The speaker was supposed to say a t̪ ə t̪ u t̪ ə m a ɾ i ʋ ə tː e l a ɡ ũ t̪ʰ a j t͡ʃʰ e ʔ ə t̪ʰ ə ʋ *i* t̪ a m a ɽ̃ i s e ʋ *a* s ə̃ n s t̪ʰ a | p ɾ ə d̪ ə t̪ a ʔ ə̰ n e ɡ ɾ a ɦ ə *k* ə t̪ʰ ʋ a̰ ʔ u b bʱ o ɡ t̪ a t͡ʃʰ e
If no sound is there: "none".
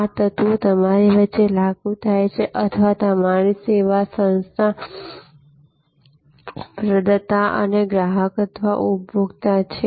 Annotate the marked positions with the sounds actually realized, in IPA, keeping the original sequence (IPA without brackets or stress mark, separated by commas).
a, a, k